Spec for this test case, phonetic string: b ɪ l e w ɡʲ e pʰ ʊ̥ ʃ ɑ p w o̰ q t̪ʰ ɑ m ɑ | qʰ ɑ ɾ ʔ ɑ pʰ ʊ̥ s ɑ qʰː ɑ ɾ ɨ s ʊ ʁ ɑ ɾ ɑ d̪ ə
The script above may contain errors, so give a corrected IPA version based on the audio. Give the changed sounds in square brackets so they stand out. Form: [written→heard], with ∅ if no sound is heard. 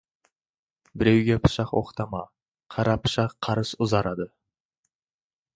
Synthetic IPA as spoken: b ɪ [l→ɾ] e w ɡʲ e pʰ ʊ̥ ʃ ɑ [p→q] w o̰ q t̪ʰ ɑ m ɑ | qʰ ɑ ɾ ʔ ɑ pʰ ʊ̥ [s→ʃ] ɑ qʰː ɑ ɾ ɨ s ʊ [ʁ→z] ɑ ɾ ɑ d̪ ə